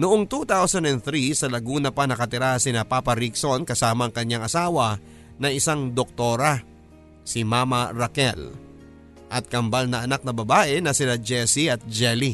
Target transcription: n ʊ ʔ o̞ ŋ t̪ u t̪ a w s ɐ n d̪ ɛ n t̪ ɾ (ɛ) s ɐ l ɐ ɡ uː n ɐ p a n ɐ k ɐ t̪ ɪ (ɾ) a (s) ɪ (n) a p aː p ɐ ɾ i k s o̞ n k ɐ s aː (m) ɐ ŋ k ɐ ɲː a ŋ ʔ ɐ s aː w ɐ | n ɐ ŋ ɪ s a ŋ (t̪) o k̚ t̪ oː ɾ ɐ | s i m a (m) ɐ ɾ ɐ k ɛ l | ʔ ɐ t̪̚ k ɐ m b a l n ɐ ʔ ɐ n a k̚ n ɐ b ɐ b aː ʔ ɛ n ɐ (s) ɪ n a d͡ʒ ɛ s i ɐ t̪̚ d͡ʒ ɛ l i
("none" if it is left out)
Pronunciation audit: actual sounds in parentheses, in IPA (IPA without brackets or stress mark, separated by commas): i, ɾ, s, n, m, d̪, m, s